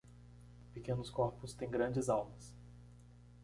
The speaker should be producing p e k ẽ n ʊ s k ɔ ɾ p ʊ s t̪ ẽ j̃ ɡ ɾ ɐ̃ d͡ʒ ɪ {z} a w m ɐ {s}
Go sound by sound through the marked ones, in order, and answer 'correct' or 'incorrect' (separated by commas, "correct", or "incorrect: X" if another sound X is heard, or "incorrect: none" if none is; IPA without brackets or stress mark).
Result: correct, correct